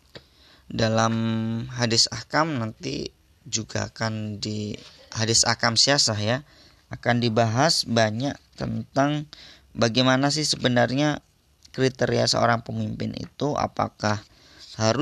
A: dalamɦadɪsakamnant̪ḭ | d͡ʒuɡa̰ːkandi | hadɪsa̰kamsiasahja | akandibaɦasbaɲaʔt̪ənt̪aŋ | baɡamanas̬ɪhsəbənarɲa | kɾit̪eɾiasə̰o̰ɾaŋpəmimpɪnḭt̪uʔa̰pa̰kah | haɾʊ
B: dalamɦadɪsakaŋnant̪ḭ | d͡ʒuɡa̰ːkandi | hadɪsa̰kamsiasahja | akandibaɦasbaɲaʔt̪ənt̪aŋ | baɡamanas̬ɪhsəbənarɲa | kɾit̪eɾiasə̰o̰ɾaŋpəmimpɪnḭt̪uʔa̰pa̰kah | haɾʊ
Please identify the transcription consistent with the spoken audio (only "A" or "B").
A